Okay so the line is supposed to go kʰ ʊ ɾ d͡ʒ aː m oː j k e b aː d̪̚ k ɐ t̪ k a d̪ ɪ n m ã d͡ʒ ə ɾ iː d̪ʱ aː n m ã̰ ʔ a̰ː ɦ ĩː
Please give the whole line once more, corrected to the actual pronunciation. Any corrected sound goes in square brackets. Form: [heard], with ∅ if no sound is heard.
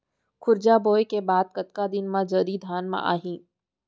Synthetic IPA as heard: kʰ ʊ ɾ d͡ʒ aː [b] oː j k e b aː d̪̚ k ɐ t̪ k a d̪ ɪ n m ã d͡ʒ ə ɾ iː d̪ʱ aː n m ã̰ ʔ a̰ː ɦ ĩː